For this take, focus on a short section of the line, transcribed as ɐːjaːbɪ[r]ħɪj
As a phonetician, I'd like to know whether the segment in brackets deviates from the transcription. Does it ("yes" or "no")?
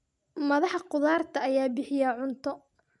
yes